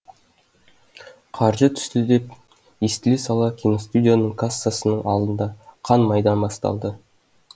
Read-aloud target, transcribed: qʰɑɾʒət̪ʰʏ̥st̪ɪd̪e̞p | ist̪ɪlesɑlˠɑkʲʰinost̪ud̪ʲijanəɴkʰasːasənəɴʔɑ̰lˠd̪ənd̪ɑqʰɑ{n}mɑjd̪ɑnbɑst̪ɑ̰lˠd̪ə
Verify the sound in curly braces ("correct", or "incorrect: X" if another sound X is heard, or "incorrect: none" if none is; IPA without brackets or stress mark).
correct